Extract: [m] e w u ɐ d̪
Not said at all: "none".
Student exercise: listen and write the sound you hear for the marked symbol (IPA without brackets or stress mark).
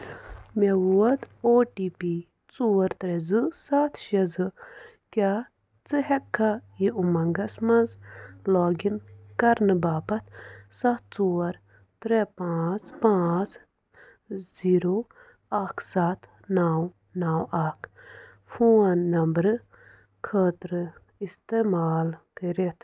m